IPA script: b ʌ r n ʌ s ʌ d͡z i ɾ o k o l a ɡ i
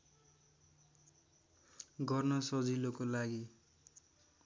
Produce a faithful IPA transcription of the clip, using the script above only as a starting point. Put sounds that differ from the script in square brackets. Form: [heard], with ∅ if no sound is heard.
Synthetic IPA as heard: [ɡ] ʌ r n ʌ s ʌ d͡z i [l] o k o l a ɡ i